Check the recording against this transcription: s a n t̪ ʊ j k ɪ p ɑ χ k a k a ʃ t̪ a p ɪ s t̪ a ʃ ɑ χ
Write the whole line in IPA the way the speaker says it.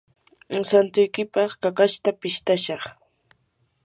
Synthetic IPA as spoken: s a n t̪ ʊ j k ɪ p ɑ χ k a k a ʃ t̪ a p ɪ ʃ t̪ a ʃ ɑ χ